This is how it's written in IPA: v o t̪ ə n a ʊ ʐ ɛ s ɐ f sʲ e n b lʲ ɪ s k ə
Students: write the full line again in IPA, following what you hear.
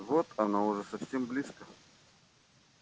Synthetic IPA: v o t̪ ɐ n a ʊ ʐ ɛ s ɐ f sʲ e m b lʲ i s k ə

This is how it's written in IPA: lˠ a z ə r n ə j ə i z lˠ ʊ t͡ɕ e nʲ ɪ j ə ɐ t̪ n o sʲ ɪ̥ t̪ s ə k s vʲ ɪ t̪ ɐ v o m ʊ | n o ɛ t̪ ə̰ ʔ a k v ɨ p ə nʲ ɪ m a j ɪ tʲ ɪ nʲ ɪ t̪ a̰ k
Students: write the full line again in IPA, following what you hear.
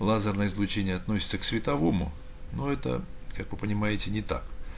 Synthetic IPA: lˠ a z ə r n ə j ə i z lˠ ʊ t͡ɕ e nʲ ɪ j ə ɐ t̪ n o sʲ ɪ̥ t̪ s ə k s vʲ ɪ t̪ ɐ v o m ʊ | n o ɛ t̪ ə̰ k a k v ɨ p ə nʲ ɪ m a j ɪ tʲ ɪ nʲ ɪ t̪ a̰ k

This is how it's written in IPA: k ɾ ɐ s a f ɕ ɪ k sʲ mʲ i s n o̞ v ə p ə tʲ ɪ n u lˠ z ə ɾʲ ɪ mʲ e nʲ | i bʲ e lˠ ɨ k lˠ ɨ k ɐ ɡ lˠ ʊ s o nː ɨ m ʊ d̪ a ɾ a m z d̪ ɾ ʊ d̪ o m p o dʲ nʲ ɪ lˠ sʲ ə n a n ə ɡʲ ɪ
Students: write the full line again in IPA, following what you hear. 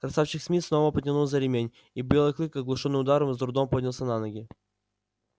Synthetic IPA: k ɾ ɐ s a f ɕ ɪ x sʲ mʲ i s n o̞ v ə p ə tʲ ɪ n u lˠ z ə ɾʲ ɪ mʲ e nʲ | i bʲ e lˠ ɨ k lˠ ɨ k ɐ ɡ lˠ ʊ ʂ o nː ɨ m ʊ d̪ a ɾ ə m z d̪ ɾ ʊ d̪ o m p o dʲ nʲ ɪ lˠ sʲ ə n a n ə ɡʲ ɪ

